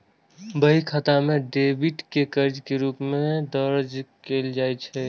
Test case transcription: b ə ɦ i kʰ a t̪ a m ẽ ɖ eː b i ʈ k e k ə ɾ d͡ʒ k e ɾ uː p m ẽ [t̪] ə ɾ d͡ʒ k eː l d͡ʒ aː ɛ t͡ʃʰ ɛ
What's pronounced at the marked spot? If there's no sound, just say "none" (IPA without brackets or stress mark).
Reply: d̪